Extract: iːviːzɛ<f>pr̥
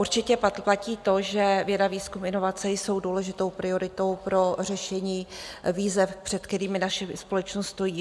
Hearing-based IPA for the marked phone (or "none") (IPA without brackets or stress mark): f